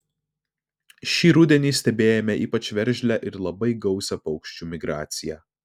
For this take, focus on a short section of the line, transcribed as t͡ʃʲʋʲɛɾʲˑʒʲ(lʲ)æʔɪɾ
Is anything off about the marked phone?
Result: no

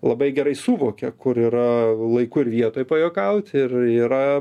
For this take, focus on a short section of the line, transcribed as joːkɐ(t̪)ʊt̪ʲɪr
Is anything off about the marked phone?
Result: yes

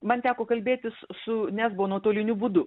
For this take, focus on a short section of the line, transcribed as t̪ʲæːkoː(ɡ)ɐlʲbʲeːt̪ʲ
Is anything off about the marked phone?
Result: yes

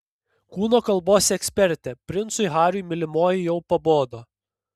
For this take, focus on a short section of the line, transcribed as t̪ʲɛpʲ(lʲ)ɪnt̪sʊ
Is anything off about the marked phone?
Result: yes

